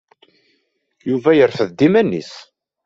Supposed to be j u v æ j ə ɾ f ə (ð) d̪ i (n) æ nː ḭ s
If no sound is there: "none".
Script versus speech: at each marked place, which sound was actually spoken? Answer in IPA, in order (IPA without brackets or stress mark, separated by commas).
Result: ð, m